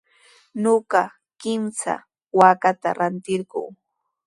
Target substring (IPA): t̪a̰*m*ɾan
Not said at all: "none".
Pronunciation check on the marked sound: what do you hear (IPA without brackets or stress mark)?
none